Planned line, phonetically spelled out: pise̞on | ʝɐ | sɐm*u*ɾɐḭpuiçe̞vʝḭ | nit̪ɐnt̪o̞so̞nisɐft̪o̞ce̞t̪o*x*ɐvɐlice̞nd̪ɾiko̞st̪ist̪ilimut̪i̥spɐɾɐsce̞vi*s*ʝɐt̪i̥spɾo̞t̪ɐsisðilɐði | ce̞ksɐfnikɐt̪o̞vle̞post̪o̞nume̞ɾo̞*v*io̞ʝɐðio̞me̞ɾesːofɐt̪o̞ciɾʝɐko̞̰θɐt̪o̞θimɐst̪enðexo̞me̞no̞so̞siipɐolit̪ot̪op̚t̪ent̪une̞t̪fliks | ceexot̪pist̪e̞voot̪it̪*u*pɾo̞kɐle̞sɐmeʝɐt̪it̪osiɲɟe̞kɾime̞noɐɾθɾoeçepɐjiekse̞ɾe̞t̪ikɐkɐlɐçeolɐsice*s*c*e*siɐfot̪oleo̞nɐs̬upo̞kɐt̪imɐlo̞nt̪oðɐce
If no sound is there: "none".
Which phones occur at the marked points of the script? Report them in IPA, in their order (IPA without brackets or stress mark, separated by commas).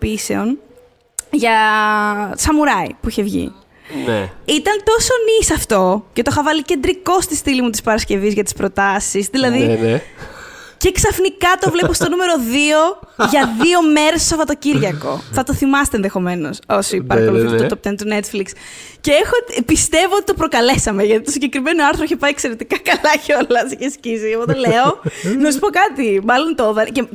u, x, z, ð, o, s, i